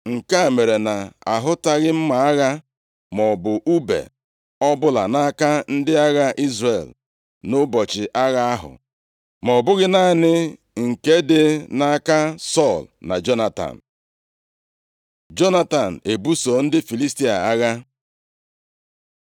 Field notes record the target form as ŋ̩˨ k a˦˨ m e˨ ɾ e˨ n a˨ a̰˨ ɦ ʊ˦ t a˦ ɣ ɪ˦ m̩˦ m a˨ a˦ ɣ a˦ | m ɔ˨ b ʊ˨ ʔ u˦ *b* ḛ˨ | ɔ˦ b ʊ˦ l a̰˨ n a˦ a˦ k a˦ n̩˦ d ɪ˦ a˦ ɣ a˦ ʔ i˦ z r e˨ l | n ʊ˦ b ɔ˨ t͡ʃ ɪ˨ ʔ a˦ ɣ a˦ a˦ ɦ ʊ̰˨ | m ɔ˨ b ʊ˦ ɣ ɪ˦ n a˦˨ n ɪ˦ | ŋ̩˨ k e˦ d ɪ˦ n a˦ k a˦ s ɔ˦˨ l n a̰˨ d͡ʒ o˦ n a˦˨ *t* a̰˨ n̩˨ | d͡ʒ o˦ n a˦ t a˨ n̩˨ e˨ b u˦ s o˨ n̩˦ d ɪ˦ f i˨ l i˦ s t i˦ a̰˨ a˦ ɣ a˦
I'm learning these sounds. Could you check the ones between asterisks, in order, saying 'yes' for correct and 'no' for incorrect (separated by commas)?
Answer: yes, yes